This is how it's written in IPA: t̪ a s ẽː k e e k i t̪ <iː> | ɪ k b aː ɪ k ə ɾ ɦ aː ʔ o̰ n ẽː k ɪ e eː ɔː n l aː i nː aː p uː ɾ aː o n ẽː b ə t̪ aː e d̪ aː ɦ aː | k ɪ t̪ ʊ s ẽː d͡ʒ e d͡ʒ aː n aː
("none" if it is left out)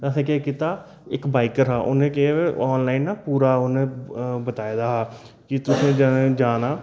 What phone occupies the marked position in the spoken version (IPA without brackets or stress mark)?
aː